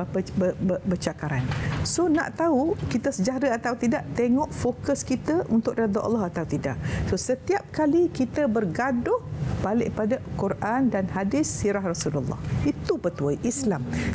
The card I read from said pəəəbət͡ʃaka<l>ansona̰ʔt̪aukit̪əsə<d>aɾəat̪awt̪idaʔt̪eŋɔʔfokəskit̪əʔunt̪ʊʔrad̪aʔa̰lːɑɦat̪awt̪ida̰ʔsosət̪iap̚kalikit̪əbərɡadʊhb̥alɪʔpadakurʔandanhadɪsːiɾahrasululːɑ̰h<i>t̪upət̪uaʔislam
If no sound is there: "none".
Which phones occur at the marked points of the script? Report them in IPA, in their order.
ɾ, d͡ʒ, i

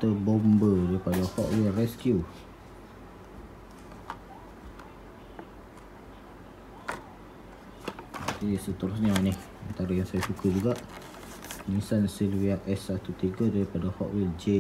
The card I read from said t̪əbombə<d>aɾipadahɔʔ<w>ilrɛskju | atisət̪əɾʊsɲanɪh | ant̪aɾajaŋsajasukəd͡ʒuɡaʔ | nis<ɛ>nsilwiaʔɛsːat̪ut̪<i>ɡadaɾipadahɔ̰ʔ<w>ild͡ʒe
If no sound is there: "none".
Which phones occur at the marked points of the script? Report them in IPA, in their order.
d, w, a, i, w

